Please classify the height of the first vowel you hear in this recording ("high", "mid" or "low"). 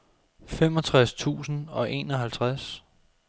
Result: mid